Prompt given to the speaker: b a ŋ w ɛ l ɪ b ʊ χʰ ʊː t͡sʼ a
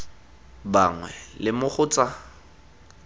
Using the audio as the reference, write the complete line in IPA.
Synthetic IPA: b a ŋ w ɛ l ɪ m ʊ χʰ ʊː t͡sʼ a